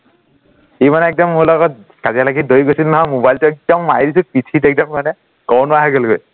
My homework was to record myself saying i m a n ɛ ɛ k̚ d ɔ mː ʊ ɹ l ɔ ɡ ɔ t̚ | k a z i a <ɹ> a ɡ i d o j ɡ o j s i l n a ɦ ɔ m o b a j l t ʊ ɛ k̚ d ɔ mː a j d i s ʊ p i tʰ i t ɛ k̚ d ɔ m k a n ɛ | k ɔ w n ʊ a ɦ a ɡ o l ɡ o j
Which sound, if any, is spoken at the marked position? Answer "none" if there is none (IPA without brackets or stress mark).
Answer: l